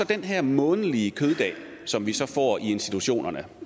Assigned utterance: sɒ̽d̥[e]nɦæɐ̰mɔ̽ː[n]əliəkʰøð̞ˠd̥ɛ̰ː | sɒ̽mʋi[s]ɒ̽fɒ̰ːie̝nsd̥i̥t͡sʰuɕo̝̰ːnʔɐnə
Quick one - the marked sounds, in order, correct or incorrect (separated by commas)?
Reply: correct, correct, correct